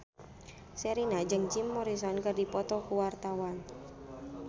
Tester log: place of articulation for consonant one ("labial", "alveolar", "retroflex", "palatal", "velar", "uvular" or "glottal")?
alveolar